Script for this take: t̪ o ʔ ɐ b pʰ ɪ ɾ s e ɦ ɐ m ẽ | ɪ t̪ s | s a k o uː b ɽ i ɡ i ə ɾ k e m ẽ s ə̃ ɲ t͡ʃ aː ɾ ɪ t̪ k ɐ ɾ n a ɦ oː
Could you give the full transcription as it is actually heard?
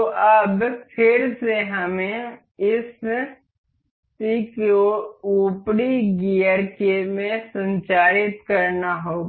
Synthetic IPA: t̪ o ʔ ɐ b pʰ ɪ ɾ s e ɦ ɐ m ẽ | ɪ s | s i k o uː p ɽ i ɡ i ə ɾ k e m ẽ s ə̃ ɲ t͡ʃ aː ɾ ɪ t̪ k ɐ ɾ n a ɦ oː